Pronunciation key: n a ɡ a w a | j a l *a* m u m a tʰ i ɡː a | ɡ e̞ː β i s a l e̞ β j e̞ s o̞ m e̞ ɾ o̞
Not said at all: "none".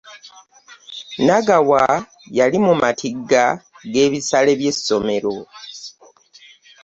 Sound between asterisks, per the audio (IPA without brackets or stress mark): i